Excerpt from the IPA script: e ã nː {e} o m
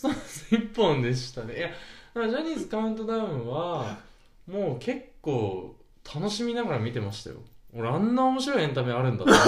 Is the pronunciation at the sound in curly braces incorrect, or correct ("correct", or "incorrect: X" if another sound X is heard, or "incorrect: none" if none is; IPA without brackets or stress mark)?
incorrect: a